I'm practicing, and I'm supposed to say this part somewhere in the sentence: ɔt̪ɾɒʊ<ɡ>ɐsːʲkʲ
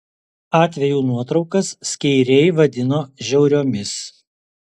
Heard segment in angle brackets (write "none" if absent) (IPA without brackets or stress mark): k